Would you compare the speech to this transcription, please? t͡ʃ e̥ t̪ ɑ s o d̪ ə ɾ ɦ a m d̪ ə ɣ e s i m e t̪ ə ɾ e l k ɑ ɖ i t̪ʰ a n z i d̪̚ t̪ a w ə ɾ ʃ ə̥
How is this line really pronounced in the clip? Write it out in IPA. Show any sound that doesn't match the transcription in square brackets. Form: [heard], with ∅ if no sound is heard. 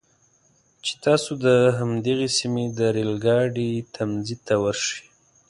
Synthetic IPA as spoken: t͡ʃ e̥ t̪ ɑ s o d̪ ə [∅] ɦ a m d̪ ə ɣ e s i m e [d̪] ə ɾ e l [ɡ] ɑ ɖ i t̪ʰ a [m] z i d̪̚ t̪ a w ə ɾ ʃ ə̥